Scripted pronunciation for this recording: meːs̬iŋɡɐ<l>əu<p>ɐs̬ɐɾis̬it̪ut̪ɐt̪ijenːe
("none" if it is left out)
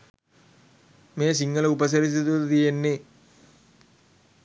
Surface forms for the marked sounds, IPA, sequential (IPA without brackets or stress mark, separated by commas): l, p